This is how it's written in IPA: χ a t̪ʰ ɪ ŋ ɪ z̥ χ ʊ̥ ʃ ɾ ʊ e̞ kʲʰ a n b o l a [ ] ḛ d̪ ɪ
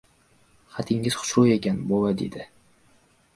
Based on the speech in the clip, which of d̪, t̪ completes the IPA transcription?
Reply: d̪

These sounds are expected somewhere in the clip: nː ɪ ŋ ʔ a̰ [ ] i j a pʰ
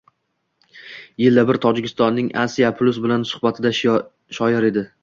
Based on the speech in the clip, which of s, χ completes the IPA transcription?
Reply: s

